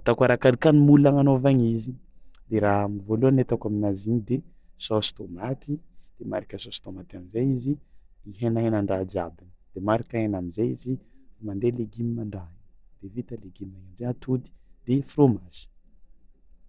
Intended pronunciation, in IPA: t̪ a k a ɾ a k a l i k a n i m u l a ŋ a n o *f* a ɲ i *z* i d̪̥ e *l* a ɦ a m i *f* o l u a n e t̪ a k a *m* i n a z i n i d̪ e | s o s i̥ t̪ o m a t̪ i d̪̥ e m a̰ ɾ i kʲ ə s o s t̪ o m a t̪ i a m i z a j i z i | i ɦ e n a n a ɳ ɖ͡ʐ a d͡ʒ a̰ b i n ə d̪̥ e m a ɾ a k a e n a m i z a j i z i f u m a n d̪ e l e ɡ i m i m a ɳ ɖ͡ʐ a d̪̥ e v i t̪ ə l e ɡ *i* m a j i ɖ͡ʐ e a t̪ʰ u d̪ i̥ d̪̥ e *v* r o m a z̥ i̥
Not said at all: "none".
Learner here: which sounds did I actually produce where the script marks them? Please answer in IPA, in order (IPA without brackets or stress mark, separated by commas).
v, z, ɾ, v, m, i, f